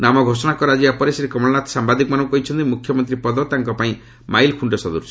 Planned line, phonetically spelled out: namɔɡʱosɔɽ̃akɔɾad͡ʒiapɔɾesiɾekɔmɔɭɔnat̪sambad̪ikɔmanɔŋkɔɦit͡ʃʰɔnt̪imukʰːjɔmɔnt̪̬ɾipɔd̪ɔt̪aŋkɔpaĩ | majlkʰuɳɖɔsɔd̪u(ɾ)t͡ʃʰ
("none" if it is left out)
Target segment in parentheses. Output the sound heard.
ɾ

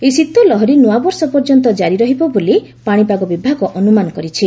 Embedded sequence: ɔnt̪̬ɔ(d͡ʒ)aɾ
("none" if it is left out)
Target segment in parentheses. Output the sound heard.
d͡ʒ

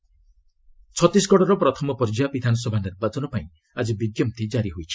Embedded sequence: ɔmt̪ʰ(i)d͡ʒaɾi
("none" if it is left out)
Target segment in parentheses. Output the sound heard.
i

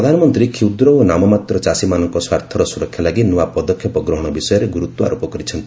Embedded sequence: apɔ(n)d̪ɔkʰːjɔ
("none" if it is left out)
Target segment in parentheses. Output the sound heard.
none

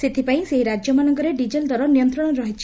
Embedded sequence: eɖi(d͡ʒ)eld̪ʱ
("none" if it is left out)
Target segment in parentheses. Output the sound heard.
d͡ʒ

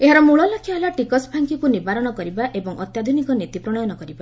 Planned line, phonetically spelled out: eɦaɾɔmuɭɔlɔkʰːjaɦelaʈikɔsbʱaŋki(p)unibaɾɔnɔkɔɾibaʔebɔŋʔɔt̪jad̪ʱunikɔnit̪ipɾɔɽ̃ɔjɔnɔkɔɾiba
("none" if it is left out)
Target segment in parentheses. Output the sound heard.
k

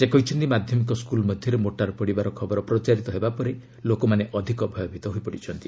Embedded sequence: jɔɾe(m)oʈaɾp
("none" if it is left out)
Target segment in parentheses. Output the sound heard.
m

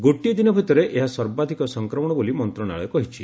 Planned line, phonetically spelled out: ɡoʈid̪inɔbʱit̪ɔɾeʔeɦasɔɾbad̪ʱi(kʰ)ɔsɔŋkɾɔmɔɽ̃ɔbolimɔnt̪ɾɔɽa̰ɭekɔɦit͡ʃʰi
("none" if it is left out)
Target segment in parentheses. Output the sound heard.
k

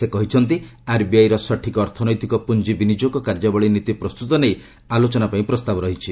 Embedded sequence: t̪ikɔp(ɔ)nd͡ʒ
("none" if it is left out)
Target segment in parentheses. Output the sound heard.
u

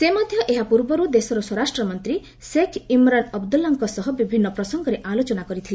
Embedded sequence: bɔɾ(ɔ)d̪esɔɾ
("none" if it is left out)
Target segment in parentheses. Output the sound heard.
u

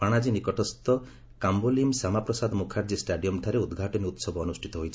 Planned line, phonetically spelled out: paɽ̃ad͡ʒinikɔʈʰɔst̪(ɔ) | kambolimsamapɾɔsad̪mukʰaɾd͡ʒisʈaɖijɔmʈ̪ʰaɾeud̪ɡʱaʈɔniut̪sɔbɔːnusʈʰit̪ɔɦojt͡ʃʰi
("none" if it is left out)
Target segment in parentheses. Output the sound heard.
ɔ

